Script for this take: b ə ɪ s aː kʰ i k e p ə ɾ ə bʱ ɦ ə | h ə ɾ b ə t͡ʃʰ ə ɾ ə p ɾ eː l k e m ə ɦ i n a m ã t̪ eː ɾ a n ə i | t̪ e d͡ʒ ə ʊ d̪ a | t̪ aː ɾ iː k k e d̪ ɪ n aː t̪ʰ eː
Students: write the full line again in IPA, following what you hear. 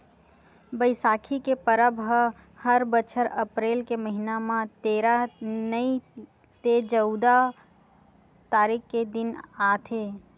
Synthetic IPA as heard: b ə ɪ s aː kʰ i k e p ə ɾ ə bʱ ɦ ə | h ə ɾ b ə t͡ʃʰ ə ɾ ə p ɾ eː l k e m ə ɦ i n a m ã t̪ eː ɾ a n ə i | t̪ e d͡ʒ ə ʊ d̪ a | t̪ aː ɾ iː k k e d̪ ɪ n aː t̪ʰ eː